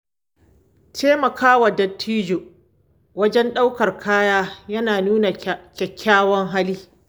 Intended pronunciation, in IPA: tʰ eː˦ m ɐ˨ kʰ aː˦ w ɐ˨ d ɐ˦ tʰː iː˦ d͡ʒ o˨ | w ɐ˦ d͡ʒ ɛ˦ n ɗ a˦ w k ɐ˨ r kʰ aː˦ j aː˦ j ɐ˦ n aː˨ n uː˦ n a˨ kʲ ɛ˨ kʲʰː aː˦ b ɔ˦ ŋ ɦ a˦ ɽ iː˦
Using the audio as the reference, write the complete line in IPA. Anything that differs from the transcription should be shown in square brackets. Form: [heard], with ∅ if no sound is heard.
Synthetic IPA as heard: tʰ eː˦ m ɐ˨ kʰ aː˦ w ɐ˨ d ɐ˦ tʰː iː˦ d͡ʒ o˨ | w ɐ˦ d͡ʒ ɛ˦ n ɗ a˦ w k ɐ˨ r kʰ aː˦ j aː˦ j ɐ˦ n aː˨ n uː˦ n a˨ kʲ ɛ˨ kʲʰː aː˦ [w] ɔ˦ ŋ ɦ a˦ [l] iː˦